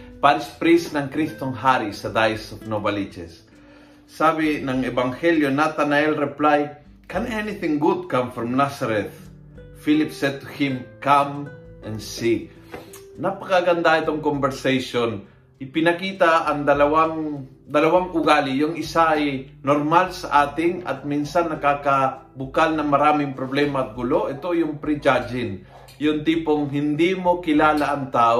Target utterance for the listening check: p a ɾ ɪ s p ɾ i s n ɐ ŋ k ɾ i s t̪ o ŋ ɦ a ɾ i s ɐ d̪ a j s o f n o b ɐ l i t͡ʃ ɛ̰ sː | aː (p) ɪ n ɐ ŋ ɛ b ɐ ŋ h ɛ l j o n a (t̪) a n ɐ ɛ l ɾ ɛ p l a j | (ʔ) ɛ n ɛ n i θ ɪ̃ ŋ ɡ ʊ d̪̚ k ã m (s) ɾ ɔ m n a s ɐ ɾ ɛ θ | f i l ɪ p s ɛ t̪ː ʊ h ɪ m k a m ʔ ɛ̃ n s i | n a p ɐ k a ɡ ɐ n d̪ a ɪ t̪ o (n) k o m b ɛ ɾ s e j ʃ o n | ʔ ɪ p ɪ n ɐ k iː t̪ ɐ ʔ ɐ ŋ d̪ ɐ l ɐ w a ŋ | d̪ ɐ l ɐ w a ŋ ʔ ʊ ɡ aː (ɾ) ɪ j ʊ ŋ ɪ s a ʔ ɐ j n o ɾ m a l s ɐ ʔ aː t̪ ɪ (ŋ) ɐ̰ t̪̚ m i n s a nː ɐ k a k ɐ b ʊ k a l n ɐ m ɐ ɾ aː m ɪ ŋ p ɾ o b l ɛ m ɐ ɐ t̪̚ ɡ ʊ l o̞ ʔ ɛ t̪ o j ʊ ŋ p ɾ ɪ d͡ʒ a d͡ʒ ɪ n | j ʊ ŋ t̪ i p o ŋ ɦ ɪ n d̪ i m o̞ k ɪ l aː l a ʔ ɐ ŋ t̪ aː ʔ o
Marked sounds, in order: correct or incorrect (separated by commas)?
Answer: incorrect, correct, incorrect, incorrect, incorrect, incorrect, correct